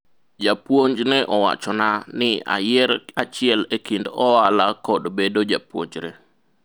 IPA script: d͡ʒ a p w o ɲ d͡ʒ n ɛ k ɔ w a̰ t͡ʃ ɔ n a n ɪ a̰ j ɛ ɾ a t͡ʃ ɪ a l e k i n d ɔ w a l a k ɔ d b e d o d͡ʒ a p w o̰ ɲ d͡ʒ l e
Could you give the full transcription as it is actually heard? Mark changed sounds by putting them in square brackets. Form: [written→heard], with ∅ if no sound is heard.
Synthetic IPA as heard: d͡ʒ a p w o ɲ d͡ʒ n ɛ [k→ʔ] ɔ w a̰ t͡ʃ ɔ n a n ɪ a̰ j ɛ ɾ a t͡ʃ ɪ [a→ɛ] l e k i n d ɔ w a l a k ɔ d b e d o d͡ʒ a p w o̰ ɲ d͡ʒ [l→ɾ] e

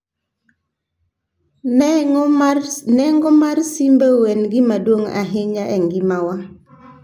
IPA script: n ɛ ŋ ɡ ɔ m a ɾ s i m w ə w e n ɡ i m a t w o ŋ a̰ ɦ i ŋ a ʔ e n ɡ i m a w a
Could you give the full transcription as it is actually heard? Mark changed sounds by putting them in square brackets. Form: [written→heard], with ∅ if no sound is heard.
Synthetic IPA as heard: n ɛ ŋ ɡ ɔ m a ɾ s i m [w→b] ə w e n ɡ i m a [t→d] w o ŋ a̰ ɦ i [ŋ→ɲ] a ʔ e [n→ŋ] ɡ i m a w a

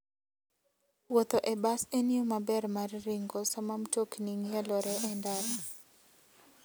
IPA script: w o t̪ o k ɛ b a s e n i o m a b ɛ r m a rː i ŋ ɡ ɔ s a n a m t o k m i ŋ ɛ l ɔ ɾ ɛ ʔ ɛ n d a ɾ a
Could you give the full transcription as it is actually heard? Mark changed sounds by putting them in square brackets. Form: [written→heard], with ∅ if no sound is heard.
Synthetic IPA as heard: w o t̪ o [k→ʔ] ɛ b a s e n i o m a b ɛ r m a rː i ŋ ɡ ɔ s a [n→m] a m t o k [m→n] i ŋ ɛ l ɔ ɾ ɛ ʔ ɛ n d a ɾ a

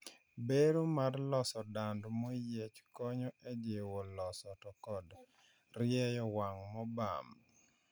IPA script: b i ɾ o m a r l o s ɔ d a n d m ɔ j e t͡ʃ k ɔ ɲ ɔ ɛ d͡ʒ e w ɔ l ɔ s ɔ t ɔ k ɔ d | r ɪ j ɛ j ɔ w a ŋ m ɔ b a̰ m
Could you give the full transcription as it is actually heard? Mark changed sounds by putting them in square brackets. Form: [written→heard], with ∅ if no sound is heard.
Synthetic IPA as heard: b [i→e] ɾ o m a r l [o→ɔ] s ɔ d a n d m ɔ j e t͡ʃ k ɔ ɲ ɔ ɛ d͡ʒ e w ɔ l ɔ s ɔ t ɔ k ɔ d | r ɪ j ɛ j ɔ w a ŋ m ɔ b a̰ m

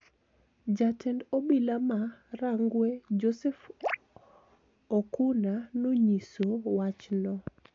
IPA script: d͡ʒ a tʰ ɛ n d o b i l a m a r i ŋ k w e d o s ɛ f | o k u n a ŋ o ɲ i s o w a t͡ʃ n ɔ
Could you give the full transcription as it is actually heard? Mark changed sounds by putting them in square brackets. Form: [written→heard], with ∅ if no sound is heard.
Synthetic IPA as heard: d͡ʒ a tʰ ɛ n d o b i l a m a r [i→a] ŋ [k→ɡ] w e [d→d͡ʒ] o s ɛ f | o k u n a [ŋ→n] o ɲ i s o w a t͡ʃ n ɔ

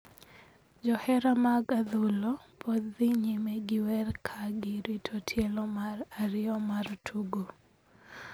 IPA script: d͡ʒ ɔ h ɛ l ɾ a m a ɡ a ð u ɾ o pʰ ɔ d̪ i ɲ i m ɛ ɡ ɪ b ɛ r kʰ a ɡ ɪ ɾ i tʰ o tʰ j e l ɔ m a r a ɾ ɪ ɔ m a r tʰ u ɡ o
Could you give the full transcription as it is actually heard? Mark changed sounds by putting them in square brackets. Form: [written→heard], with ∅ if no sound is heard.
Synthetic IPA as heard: d͡ʒ ɔ h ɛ [l→∅] ɾ a m a ɡ a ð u [ɾ→l] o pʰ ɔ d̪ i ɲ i m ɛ ɡ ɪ [b→w] ɛ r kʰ a ɡ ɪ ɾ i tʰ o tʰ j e l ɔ m a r a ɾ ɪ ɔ m a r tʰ u ɡ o

